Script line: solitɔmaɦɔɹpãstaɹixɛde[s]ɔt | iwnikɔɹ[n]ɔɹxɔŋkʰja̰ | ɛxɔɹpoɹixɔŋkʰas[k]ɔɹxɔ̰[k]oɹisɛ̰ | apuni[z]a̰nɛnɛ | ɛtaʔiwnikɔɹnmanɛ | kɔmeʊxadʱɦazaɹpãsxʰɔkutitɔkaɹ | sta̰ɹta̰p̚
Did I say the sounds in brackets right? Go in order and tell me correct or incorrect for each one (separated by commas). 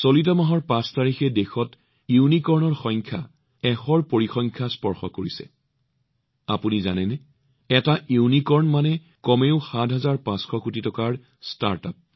incorrect, correct, incorrect, correct, correct